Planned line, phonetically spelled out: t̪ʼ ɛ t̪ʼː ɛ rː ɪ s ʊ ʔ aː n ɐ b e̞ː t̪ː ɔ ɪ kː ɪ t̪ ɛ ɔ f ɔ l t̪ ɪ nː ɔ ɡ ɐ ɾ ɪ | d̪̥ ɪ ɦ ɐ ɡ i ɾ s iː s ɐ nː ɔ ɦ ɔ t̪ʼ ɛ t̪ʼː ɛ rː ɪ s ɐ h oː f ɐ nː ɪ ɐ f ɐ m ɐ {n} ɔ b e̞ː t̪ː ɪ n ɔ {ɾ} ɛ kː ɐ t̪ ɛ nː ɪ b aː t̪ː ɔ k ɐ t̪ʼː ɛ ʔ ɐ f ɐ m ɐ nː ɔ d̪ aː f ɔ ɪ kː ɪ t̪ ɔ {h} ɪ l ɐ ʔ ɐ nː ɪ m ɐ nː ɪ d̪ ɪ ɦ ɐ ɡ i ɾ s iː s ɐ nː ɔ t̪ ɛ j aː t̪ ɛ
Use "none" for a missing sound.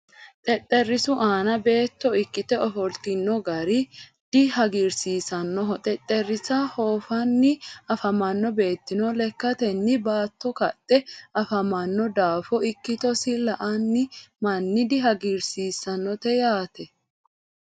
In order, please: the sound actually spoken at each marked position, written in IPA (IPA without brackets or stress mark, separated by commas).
nː, l, s